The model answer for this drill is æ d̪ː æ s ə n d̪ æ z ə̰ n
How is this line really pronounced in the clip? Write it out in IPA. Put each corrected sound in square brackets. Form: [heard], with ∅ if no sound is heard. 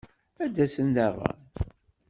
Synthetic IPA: æ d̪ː æ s ə n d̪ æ [ʁ] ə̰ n